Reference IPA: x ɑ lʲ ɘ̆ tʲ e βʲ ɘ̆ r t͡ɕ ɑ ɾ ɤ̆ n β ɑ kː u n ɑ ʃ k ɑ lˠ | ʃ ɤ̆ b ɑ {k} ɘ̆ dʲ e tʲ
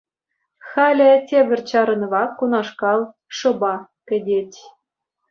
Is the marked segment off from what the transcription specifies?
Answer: no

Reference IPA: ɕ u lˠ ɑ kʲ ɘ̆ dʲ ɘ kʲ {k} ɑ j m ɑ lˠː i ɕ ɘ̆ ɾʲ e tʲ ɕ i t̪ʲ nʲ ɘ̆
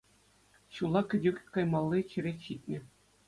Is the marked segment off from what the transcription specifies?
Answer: no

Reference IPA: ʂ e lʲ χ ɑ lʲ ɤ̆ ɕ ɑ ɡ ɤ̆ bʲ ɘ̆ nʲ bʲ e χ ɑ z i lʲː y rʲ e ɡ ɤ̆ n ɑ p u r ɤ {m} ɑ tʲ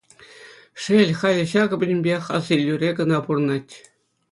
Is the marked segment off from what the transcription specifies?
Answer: yes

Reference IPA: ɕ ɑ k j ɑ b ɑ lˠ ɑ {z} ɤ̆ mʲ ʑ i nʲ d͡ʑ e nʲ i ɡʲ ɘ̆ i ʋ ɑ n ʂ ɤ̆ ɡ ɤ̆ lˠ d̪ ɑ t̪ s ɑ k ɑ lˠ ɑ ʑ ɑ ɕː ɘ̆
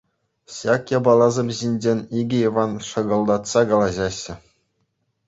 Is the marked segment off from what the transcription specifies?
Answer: no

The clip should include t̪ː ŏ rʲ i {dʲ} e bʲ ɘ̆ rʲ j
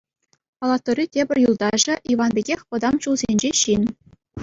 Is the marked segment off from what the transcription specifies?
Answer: yes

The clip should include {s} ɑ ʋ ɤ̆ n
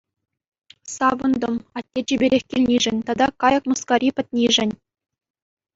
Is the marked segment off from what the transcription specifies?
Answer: no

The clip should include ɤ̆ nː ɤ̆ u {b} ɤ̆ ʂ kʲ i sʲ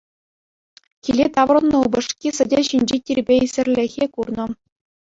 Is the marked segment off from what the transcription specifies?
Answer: no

